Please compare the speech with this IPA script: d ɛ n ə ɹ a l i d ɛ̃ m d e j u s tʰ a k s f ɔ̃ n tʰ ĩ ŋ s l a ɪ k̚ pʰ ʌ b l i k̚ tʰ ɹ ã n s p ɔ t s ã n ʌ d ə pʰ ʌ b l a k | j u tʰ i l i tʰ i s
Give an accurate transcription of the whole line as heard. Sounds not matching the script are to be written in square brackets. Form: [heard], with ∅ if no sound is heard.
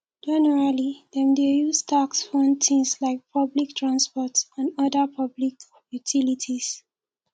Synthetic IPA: [d͡ʒ] ɛ n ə ɹ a l i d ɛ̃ m d e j u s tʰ a k s f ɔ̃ n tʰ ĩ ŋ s l a ɪ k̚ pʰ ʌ b l i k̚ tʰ ɹ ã n s p ɔ t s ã n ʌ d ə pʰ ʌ b l [i] k | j u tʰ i l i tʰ i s